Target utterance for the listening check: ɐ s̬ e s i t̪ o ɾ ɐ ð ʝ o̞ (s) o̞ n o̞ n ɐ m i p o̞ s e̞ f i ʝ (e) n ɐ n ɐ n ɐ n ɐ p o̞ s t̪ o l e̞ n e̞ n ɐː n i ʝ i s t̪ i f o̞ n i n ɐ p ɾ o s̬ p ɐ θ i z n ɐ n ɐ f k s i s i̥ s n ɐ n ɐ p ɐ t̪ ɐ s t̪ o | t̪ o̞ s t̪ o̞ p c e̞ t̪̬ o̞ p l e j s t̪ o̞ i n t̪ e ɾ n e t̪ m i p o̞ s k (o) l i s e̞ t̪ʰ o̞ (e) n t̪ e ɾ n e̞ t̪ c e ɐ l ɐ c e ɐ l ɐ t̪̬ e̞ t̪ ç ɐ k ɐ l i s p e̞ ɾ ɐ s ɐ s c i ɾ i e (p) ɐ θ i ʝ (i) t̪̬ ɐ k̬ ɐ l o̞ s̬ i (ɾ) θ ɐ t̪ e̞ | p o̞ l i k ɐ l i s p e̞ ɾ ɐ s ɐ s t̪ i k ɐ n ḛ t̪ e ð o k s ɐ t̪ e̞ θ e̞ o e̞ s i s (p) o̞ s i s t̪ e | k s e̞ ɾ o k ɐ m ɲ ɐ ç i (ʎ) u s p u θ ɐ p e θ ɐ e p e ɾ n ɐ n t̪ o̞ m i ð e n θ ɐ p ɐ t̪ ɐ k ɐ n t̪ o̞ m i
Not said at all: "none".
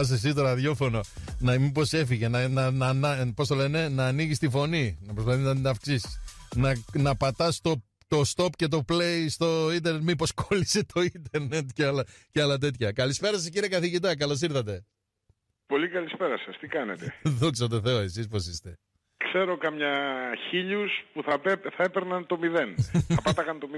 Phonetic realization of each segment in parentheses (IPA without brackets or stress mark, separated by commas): f, e, o, i, k, i, ɾ, p, ʎ